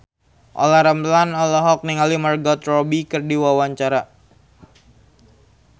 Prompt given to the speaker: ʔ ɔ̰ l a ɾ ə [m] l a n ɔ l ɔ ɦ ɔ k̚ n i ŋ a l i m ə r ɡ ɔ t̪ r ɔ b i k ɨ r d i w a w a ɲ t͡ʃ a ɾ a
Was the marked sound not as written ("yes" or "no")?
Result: no